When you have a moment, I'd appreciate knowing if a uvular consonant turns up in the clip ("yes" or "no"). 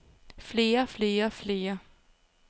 no